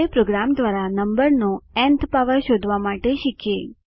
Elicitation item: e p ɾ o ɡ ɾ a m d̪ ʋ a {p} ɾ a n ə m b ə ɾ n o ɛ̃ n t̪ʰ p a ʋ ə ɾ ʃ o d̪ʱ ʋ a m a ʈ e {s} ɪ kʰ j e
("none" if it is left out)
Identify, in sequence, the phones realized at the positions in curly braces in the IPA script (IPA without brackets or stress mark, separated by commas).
none, ʃ